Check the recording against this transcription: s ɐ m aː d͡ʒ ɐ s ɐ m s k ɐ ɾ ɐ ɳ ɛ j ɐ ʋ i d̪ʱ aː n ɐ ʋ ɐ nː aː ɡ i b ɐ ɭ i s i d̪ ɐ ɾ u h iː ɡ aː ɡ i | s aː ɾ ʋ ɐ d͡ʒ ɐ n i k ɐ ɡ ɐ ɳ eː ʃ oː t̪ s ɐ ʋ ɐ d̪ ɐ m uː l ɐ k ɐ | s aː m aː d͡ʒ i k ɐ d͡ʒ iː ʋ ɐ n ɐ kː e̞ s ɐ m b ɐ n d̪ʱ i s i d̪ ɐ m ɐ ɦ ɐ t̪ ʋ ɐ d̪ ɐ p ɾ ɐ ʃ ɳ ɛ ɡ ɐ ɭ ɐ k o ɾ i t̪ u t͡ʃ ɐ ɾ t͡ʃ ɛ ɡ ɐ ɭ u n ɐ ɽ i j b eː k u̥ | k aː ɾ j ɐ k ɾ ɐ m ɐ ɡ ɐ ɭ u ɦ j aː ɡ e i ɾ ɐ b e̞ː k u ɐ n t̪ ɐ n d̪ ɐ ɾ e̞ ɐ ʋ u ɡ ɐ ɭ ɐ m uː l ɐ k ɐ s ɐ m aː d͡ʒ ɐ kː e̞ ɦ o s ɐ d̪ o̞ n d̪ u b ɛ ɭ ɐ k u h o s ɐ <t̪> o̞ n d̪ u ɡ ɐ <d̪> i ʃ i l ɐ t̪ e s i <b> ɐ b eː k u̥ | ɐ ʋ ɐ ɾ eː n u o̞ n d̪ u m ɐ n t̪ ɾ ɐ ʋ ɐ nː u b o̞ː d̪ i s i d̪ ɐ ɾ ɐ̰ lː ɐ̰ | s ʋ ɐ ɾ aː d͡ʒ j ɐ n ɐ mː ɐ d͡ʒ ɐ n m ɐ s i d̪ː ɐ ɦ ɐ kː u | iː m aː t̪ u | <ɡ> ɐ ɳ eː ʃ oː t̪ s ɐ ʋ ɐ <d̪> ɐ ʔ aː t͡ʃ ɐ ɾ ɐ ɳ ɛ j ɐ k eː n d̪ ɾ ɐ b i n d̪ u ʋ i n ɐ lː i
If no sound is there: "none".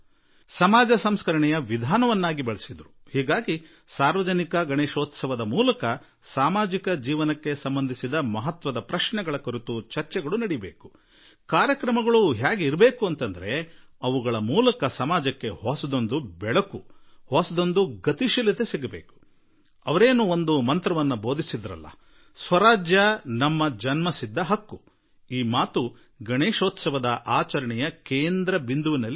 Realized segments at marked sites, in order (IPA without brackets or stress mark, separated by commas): d̪, t̪, ɡ, ɡ, d̪